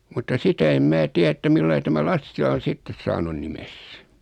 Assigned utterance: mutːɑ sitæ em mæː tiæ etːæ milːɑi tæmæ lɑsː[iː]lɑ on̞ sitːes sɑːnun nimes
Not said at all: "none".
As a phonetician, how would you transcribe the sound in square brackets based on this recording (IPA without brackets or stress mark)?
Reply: i